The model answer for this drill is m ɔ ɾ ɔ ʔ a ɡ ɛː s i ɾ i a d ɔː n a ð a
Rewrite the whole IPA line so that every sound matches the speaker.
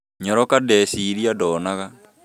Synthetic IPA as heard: ɲ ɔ ɾ ɔ k a d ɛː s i ɾ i a d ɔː n a ɣ a